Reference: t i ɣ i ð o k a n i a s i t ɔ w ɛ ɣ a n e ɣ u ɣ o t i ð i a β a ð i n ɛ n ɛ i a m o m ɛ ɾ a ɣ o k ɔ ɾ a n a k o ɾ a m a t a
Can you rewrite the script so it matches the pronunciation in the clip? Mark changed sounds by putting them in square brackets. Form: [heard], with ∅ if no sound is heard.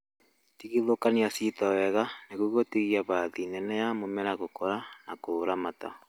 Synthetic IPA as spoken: t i ɣ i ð o k a n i a s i t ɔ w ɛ ɣ a n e ɣ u ɣ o t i [ɣ] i a β a ð i n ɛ n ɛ [j] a m o m ɛ ɾ a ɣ o k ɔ ɾ a n a k o ɾ a m a t a